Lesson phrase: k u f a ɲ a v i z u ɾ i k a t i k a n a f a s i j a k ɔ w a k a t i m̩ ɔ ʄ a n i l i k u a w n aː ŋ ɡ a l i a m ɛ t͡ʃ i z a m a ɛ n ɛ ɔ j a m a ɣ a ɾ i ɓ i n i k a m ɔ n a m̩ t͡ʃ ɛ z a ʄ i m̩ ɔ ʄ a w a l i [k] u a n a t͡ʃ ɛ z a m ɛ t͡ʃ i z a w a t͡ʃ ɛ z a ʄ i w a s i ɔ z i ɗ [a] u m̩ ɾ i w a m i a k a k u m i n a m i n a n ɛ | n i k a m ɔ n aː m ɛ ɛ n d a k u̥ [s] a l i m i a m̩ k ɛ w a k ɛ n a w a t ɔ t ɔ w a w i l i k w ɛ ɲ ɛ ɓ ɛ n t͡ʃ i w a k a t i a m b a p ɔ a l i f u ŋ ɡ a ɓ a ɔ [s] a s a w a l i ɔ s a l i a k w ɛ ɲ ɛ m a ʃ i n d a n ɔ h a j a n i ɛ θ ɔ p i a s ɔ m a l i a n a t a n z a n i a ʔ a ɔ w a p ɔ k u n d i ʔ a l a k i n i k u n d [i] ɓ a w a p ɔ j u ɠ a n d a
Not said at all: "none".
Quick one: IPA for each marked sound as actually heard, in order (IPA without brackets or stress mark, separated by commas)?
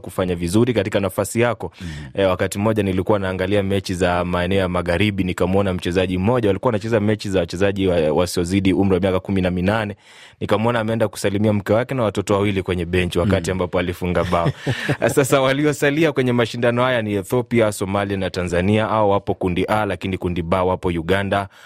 k, i, s, s, i